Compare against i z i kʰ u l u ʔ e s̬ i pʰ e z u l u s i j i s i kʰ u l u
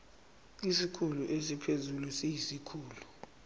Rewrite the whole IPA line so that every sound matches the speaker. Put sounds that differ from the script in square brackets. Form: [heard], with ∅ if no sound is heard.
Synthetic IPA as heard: i [s] i kʰ u l u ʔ e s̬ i pʰ e z u l u s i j i s i kʰ [uː] l u

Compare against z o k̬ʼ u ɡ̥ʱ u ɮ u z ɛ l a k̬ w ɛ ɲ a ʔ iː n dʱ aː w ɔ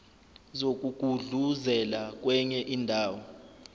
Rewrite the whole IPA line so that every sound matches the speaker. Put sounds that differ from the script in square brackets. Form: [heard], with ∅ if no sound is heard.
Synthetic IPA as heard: z o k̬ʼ u ɡ̥ʱ u ɮ u z ɛ l a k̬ w ɛ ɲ [ɛ] ʔ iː n dʱ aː w ɔ

